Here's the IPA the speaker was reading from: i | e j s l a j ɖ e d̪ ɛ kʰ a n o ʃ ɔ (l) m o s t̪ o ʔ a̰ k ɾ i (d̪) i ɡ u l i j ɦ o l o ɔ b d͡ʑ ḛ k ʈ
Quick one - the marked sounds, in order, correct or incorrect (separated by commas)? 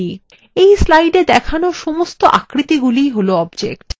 incorrect, incorrect